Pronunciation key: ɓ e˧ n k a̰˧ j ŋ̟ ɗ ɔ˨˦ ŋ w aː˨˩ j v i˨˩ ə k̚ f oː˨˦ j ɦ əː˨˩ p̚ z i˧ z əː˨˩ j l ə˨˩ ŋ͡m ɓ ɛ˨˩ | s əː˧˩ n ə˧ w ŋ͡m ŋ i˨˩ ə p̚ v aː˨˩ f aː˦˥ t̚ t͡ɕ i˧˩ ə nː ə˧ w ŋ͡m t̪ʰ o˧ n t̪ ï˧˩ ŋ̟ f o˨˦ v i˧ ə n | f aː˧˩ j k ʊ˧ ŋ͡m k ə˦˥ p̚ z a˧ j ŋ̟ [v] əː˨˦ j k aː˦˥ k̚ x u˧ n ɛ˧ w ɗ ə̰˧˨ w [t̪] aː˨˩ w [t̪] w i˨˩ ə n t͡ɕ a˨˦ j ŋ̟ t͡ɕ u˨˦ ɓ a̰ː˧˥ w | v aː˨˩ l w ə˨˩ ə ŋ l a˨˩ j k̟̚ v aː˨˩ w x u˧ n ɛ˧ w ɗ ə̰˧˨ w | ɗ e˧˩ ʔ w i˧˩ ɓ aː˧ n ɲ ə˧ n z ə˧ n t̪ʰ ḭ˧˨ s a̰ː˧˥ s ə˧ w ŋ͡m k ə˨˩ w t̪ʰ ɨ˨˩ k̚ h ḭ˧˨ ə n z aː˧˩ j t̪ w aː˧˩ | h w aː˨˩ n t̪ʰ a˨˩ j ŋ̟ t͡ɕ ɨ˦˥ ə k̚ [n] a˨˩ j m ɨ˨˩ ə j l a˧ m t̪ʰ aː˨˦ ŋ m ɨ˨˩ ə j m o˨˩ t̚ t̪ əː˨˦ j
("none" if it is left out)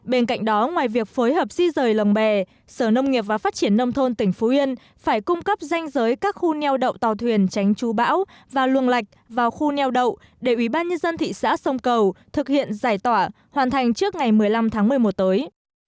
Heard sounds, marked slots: z, t̪, t̪ʰ, ŋ

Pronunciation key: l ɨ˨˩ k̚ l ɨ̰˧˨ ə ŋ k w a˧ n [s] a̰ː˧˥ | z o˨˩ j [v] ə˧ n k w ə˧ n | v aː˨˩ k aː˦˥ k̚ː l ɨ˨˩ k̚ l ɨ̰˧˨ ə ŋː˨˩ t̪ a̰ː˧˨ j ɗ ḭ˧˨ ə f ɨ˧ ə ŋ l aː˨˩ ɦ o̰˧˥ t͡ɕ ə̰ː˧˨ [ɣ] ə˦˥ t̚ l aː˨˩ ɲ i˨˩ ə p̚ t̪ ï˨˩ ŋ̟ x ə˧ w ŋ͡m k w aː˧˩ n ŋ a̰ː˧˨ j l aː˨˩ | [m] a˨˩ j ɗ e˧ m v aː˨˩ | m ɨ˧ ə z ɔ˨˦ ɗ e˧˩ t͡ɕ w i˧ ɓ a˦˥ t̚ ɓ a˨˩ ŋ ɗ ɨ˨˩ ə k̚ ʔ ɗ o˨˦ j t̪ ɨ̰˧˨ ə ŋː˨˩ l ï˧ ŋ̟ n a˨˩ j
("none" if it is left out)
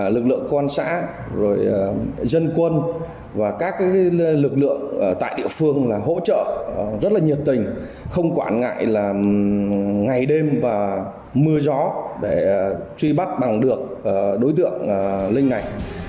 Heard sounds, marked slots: s, z, z, ŋ

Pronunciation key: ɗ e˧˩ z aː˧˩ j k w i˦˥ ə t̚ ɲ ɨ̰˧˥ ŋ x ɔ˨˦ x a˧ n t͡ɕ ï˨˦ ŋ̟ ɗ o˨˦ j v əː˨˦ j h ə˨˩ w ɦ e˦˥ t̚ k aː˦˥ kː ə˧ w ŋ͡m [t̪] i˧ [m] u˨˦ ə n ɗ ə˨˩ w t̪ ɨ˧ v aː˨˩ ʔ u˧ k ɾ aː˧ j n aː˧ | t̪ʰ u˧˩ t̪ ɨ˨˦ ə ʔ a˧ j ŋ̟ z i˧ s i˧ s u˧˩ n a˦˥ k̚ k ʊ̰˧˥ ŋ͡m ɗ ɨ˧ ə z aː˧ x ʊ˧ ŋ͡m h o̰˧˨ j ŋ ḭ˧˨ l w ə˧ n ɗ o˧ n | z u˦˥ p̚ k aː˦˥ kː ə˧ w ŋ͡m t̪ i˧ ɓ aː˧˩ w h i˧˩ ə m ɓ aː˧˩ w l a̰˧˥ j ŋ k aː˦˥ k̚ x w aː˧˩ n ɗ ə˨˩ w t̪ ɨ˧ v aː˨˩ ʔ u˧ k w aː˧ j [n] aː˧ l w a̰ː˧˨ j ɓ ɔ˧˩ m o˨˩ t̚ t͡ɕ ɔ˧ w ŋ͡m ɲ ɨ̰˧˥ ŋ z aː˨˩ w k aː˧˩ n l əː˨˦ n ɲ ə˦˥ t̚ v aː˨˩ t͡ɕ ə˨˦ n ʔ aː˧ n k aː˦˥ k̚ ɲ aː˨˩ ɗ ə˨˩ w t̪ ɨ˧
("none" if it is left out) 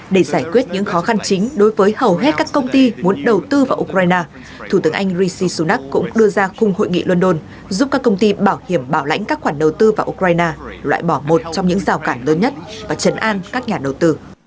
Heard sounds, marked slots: t̪, m, n

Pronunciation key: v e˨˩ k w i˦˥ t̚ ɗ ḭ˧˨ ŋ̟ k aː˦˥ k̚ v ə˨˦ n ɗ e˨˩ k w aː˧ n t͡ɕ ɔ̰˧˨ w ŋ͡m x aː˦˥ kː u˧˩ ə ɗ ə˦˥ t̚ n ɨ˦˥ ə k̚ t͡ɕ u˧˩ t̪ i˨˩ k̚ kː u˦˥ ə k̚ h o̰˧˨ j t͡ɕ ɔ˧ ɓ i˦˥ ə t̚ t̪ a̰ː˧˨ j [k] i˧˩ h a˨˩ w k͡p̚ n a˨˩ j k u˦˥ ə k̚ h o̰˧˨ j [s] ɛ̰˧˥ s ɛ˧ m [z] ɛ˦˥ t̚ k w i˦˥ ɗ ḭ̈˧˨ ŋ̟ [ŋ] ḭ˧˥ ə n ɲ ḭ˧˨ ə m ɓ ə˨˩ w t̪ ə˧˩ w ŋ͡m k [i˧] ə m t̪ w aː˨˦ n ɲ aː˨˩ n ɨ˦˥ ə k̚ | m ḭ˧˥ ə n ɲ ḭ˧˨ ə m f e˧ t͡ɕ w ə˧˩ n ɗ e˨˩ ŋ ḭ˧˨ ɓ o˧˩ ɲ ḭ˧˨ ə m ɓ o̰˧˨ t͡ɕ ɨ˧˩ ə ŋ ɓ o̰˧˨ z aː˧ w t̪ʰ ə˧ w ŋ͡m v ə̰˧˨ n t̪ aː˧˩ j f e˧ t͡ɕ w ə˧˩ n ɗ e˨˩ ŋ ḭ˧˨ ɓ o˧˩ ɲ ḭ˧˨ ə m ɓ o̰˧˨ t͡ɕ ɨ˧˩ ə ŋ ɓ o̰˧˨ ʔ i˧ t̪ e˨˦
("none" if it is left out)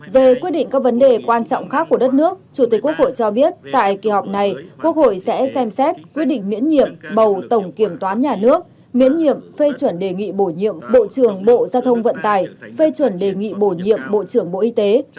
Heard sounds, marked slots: k, s, s, m, i˧˩

